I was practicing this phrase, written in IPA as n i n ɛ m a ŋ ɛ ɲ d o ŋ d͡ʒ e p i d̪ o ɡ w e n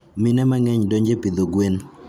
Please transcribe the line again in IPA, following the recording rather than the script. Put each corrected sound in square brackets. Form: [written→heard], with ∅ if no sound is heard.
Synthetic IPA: [n→m] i n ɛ m a ŋ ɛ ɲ d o [ŋ→ɲ] d͡ʒ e p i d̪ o ɡ w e n